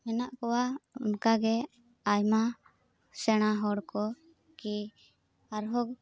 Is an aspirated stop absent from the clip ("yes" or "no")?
yes